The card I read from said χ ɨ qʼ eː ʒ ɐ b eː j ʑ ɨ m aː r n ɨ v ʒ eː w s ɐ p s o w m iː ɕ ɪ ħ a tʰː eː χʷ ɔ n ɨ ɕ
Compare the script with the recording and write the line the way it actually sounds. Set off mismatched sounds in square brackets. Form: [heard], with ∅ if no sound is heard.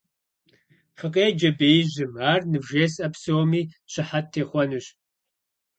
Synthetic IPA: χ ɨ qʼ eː [d͡ʒ] ɐ b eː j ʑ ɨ m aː r n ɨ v ʒ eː [∅] s ɐ p s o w m iː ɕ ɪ ħ a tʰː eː χʷ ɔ n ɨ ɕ